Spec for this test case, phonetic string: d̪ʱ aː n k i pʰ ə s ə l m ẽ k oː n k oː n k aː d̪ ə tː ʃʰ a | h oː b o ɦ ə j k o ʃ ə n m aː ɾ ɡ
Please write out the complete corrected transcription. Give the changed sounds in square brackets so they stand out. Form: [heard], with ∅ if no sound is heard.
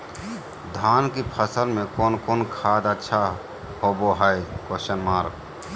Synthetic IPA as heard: d̪ʱ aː n k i pʰ ə s ə l m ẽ k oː n k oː n [kʰ] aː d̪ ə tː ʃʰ a | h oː b o ɦ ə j k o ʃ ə n m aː ɾ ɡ